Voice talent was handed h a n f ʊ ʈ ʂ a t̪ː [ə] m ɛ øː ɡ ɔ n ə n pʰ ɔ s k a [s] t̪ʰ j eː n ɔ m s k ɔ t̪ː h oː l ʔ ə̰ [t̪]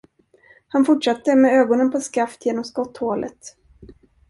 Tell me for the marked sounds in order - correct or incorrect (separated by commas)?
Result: correct, incorrect, correct